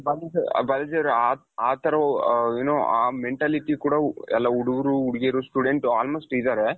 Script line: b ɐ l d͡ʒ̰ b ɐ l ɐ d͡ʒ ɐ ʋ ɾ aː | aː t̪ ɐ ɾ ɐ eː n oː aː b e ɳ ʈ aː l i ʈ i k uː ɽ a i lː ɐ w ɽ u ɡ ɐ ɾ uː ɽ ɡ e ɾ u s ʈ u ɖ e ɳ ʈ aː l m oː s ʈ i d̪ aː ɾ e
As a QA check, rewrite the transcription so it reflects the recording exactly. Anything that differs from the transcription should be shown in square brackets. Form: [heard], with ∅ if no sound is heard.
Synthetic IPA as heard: b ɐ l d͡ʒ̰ b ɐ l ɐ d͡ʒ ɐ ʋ ɾ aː | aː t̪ ɐ ɾ ɐ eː n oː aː [m] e ɳ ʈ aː l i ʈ i k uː ɽ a [ɛ] lː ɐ [u] ɽ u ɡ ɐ ɾ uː ɽ ɡ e ɾ u s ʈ u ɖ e ɳ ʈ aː l m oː s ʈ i d̪ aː ɾ e